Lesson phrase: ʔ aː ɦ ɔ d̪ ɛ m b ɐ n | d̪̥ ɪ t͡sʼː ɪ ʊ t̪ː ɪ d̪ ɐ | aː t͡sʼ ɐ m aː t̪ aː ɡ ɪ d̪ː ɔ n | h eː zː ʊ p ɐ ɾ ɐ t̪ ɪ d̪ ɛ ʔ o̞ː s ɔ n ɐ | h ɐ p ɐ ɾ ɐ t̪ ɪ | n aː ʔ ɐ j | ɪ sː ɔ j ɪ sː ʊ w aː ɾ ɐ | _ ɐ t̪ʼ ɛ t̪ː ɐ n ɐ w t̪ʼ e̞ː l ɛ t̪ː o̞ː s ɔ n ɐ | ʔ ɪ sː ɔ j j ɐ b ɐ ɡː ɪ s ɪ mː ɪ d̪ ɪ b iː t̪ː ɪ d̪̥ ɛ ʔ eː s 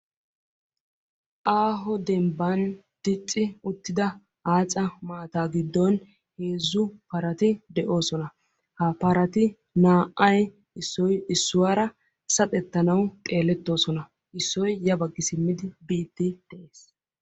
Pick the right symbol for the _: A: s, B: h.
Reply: A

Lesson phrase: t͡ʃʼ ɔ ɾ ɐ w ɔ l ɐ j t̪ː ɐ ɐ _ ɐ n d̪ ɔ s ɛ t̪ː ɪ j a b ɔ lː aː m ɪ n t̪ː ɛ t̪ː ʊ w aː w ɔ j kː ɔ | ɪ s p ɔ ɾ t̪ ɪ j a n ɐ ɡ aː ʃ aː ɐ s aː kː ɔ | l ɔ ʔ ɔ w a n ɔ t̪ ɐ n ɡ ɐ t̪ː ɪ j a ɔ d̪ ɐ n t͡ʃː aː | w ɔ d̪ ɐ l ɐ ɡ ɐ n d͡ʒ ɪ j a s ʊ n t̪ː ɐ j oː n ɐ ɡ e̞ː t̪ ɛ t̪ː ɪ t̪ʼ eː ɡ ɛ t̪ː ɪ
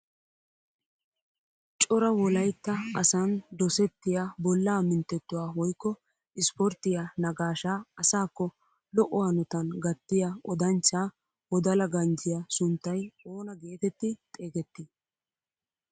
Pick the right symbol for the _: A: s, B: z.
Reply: A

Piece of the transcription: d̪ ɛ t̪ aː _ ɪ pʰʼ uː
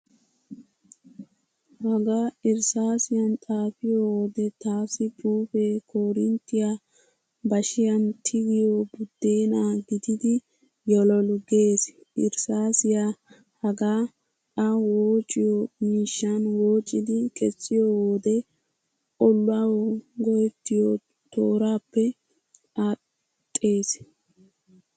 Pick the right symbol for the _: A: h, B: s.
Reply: B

